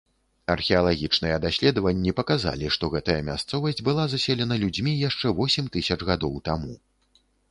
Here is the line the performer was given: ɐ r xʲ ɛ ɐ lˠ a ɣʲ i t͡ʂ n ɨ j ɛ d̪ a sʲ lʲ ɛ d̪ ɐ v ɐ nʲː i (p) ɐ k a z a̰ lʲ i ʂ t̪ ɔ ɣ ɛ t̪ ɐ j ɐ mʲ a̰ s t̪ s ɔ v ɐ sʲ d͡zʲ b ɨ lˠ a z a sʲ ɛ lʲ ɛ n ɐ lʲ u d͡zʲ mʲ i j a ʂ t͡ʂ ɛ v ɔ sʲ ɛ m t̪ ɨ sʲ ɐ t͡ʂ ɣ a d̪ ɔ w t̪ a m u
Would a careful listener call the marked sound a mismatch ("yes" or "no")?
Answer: no